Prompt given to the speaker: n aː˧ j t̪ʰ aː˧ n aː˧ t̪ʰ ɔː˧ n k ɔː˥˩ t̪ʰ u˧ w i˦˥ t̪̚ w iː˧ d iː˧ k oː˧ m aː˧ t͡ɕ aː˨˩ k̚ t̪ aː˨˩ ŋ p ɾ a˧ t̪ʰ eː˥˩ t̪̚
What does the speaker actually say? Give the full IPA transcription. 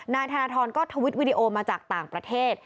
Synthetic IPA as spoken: n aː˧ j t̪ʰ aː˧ n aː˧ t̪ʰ ɔː˧ n k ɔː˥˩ t̪ʰ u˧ w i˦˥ t̪̚ w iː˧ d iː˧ ʔ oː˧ m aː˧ t͡ɕ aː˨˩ k̚ t̪ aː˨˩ ŋ p ɾ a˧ t̪ʰ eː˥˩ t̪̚

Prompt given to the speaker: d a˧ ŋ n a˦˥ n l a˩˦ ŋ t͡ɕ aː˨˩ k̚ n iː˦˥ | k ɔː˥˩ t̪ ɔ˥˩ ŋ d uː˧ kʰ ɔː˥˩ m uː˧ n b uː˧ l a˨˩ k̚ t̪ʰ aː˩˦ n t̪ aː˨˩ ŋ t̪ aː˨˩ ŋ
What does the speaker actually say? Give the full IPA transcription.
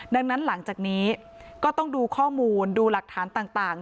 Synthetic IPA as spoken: d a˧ ŋ n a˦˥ n l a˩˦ ŋ t͡ɕ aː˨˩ k̚ n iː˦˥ | k ɔː˥˩ t̪ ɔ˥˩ ŋ d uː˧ kʰ ɔː˥˩ m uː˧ n d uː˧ l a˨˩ k̚ t̪ʰ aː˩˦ n t̪ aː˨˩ ŋ t̪ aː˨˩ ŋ

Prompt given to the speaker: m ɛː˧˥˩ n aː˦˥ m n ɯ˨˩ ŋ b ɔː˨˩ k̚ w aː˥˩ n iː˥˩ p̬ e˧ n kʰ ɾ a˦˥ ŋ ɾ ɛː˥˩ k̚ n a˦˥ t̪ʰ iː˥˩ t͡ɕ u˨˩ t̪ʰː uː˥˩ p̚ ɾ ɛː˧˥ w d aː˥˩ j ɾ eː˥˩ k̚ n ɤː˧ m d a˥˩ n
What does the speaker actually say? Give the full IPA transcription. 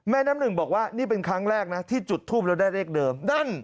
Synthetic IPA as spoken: m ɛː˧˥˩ n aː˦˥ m n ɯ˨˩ ŋ b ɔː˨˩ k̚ w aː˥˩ n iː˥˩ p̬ e˧ n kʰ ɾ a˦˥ ŋ ɾ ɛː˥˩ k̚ n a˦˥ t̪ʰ iː˥˩ t͡ɕ u˨˩ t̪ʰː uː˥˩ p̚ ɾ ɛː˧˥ w d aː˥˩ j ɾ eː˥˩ k̚ d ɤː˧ m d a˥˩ n

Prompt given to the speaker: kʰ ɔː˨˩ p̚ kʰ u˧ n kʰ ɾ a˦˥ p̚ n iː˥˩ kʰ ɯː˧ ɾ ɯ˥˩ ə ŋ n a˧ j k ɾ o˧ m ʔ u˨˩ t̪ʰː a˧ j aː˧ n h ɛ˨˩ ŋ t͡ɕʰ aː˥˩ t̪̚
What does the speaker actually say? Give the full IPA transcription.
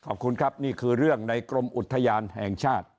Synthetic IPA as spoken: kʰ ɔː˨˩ p̚ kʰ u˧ n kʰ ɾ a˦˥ p̚ n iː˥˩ kʰ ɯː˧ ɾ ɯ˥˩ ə ŋ n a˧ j k ɾ o˧ m ʔ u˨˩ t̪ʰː a˧ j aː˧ n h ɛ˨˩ ŋ t͡ɕʰ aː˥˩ t̪̚

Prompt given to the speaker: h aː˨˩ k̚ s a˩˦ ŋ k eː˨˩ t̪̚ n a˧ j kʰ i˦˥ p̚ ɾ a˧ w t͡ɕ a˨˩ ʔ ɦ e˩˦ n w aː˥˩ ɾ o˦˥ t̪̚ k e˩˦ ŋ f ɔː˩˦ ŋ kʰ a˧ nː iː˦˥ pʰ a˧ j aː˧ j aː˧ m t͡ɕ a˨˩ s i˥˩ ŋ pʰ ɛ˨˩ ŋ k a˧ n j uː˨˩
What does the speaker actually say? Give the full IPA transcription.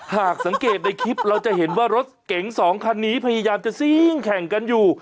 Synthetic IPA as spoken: h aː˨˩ k̚ s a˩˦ ŋ k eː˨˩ t̪̚ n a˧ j kʰ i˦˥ p̚ ɾ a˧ w t͡ɕ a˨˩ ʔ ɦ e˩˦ n w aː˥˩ ɾ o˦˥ t̪̚ k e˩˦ ŋ s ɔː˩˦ ŋ kʰ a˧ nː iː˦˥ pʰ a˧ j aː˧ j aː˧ m t͡ɕ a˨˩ s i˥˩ ŋ kʰ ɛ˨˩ ŋ k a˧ n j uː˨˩

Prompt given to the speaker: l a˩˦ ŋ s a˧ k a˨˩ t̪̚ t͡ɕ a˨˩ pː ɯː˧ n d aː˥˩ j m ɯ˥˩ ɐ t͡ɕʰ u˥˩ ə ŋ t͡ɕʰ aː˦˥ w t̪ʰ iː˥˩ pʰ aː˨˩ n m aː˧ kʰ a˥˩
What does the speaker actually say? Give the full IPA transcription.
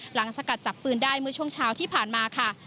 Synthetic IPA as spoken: l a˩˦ ŋ s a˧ k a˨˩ t̪̚ t͡ɕ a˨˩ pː ɯː˧ n d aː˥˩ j m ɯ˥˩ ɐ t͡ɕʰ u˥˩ ə ŋ t͡ɕʰ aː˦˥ w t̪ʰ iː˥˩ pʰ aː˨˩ n m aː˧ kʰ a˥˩

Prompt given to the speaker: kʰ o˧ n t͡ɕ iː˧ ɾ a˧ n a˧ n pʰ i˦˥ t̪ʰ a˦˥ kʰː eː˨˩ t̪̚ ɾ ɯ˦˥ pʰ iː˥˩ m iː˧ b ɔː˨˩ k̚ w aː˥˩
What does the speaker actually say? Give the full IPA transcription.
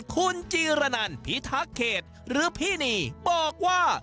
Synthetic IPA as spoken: kʰ u˧ n t͡ɕ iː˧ ɾ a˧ n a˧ n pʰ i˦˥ t̪ʰ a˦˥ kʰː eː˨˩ t̪̚ ɾ ɯː˦˥ pʰ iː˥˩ n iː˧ b ɔː˨˩ k̚ w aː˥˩

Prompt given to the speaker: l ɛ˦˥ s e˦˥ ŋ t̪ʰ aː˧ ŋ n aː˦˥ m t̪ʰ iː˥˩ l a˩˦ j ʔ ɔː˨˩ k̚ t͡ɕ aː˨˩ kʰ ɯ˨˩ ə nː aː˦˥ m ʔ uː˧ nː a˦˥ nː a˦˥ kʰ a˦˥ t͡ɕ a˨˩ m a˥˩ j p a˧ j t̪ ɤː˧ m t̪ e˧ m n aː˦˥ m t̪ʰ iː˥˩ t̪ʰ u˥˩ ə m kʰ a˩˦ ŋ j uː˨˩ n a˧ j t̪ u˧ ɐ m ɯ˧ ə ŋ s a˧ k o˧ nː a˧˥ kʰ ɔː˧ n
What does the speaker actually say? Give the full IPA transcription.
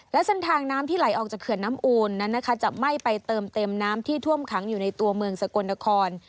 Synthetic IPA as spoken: l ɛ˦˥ s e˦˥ n t̪ʰ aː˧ ŋ n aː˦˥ m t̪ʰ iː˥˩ l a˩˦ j ʔ ɔː˨˩ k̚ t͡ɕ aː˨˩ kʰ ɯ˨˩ ə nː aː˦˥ m ʔ uː˧ nː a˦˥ nː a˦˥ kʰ a˦˥ t͡ɕ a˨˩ m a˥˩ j p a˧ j t̪ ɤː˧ m t̪ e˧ m n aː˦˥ m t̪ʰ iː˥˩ t̪ʰ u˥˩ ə m kʰ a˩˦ ŋ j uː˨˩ n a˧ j t̪ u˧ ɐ m ɯ˧ ə ŋ s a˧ k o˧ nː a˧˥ kʰ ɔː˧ n

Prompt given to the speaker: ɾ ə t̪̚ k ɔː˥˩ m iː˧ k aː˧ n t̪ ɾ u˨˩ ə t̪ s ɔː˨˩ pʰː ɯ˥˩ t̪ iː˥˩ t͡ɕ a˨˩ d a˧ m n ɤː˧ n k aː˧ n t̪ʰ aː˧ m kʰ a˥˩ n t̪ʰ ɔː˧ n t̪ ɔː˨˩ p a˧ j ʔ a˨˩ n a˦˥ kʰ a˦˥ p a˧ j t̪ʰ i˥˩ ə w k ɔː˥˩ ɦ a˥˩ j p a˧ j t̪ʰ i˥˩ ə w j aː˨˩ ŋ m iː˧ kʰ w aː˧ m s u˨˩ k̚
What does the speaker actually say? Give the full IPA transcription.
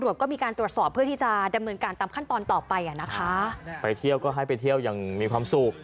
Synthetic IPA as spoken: ɾ ə t̪̚ k ɔː˥˩ m iː˧ k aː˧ n t̪ ɾ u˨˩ ə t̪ s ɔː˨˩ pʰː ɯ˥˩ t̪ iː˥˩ t͡ɕ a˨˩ d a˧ m n ɤː˧ n k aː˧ n t̪ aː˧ m kʰ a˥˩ n t̪ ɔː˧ n t̪ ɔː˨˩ p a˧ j ʔ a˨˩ n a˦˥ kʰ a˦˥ p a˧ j t̪ʰ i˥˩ ə w k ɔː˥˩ ɦ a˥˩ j p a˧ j t̪ʰ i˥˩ ə w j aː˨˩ ŋ m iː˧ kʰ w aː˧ m s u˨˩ k̚

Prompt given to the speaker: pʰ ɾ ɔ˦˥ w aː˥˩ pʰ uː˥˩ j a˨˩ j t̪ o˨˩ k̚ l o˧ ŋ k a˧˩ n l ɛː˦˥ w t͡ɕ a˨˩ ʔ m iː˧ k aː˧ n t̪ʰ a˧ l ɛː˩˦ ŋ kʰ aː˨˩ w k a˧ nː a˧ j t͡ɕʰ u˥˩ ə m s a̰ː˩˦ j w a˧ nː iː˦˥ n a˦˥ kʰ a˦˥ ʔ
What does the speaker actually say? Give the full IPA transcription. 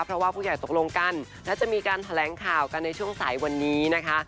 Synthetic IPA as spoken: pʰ ɾ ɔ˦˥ w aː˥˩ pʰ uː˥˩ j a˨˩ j t̪ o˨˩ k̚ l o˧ ŋ k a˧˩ n l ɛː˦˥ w t͡ɕ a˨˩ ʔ m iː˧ k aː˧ n t̪ʰ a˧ l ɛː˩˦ ŋ kʰ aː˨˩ w k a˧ nː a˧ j t͡ɕʰ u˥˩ ə ŋ s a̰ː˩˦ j w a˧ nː iː˦˥ n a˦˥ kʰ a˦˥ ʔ

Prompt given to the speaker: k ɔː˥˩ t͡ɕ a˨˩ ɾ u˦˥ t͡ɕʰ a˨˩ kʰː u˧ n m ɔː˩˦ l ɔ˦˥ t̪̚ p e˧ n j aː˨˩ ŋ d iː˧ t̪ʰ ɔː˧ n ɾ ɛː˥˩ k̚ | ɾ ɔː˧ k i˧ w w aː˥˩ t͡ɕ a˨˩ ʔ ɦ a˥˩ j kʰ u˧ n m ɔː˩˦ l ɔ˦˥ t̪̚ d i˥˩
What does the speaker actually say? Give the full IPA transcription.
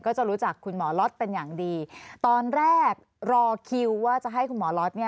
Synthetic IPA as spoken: k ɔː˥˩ t͡ɕ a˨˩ ɾ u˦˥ t͡ɕ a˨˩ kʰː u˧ n m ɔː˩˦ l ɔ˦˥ t̪̚ p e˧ n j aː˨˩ ŋ d iː˧ t̪ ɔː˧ n ɾ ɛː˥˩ k̚ | ɾ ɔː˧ kʰ i˧ w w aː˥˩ t͡ɕ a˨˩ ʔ ɦ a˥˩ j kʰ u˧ n m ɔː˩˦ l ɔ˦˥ t̪̚ n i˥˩

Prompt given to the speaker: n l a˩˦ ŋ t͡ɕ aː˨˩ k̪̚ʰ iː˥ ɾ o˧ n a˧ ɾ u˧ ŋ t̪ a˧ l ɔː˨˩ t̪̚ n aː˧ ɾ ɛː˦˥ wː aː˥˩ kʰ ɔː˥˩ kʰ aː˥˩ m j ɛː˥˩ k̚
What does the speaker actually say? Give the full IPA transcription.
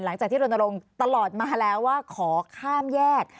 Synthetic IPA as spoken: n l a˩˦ ŋ t͡ɕ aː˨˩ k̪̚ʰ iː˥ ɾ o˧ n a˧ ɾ o˧ ŋ t̪ a˧ l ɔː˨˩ t̪̚ m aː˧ l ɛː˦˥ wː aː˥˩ kʰ ɔː˩˦ kʰ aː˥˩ m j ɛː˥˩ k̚

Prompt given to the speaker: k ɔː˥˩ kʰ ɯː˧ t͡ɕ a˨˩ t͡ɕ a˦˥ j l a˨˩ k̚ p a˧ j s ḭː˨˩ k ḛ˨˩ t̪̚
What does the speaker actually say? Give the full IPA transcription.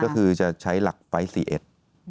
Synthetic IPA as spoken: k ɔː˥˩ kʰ ɯː˧ t͡ɕ a˨˩ t͡ɕʰ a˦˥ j l a˨˩ k̚ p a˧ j s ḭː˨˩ ʔ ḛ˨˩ t̪̚

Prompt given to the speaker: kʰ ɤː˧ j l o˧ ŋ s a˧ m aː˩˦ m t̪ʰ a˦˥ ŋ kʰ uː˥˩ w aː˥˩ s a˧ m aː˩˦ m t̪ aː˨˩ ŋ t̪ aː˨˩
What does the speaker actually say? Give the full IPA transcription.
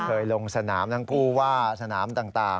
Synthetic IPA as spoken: kʰ ɤː˧ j l o˧ ŋ s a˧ n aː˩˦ m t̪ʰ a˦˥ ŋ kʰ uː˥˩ w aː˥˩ s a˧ n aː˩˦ m t̪ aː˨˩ ŋ t̪ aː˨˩

